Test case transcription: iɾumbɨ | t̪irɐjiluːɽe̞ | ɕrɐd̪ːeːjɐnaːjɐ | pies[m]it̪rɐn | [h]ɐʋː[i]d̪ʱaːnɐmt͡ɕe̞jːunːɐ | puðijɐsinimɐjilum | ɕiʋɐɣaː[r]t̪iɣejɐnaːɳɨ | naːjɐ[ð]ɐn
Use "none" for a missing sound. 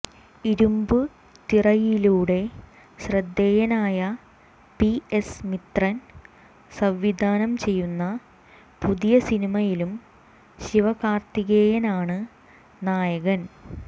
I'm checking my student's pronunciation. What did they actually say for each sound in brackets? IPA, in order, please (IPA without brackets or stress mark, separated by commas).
m, s, i, r, ɣ